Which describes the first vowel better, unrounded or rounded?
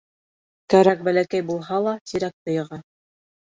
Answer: unrounded